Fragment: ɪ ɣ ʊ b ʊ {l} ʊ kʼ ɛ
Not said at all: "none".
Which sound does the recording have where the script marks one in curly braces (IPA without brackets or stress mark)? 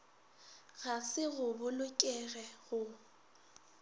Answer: l